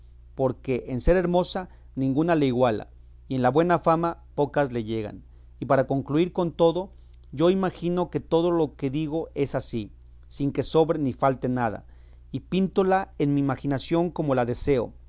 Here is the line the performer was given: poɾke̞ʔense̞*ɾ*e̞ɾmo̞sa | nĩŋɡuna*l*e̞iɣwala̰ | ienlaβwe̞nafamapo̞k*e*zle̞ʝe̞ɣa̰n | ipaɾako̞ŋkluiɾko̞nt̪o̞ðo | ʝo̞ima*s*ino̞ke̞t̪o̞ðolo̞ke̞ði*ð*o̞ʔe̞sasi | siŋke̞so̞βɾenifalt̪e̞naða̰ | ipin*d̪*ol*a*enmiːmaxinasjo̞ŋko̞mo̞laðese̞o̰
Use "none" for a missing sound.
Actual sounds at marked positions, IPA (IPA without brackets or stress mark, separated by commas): ɾ, l, a, x, ɣ, t̪, a